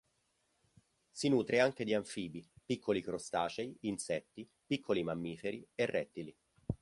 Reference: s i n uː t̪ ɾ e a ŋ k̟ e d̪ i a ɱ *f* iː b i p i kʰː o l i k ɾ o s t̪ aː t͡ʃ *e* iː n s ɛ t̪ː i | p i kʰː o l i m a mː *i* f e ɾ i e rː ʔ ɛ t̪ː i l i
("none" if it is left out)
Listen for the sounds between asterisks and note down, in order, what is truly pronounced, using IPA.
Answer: f, e, iː

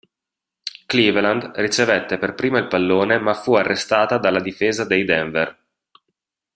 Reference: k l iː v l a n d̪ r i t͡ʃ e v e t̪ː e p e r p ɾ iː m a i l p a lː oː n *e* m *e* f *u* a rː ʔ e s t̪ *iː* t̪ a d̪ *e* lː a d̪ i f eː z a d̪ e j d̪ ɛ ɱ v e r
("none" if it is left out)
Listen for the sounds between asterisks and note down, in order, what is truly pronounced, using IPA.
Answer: e, a, u, aː, a

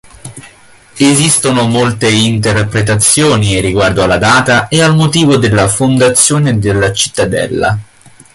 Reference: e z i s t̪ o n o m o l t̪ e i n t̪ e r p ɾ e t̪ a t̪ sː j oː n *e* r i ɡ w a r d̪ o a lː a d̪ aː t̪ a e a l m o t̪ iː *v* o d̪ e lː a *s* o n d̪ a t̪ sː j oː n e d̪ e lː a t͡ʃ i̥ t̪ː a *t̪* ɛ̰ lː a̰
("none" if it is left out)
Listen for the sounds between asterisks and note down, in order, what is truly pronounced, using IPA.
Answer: i, v, f, d̪

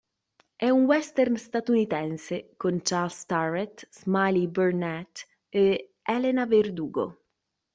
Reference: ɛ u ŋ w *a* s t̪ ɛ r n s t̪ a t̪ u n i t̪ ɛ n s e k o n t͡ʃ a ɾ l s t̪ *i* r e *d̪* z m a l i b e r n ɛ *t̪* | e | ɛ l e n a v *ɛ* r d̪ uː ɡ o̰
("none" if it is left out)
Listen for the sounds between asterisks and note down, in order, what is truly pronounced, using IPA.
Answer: ɛ, a, t̪, t̪, e

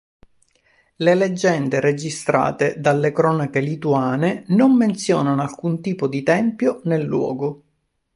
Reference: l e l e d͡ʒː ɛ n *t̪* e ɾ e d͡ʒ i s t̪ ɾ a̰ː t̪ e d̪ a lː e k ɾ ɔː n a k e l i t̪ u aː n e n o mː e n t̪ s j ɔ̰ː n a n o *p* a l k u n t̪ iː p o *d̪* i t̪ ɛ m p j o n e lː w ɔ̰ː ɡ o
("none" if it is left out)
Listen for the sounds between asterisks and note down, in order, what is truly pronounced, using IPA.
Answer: d̪, none, d̪

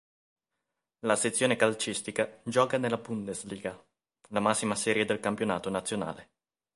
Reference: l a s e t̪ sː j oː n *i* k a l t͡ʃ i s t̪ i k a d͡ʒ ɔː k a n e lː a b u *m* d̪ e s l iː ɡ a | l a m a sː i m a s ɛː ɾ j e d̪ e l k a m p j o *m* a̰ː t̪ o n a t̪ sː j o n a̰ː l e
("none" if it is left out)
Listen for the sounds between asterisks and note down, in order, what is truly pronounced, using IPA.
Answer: e, n, n

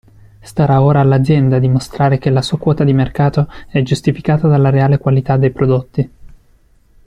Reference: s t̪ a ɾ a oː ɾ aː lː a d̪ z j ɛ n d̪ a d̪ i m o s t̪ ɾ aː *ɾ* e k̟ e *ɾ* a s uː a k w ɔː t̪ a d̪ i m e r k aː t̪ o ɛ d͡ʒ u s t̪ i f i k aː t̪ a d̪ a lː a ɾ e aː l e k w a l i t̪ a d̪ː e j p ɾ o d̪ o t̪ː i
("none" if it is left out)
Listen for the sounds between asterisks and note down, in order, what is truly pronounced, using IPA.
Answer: ɾ, l

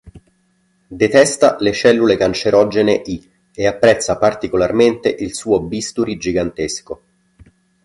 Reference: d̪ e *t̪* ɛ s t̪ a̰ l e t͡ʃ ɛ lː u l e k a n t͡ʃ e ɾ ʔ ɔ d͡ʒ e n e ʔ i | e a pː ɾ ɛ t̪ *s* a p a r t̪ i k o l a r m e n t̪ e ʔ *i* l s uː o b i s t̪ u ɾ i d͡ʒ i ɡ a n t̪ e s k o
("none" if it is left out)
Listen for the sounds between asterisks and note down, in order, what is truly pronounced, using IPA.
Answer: t̪, sː, i

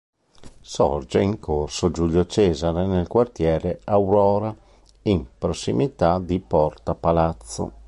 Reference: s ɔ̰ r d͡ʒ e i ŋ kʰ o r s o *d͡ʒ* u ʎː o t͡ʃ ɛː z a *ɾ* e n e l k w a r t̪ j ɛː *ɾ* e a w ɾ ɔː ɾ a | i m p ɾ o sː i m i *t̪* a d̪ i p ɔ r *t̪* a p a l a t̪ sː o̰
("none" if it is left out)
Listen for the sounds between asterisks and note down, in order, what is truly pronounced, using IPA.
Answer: d͡ʒ, ɾ, ɾ, t̪, t̪

